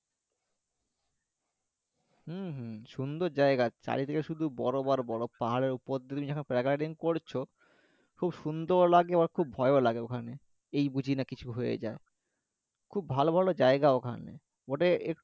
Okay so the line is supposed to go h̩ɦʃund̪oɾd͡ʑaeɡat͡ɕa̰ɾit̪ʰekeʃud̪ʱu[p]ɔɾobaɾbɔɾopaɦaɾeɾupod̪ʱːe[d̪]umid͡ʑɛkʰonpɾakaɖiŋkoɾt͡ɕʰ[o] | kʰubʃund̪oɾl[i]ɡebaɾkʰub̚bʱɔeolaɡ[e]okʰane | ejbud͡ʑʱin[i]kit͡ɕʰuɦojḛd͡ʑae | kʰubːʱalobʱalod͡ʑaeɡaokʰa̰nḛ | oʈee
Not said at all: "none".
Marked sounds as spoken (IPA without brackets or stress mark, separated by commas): b, t̪, o, a, e, a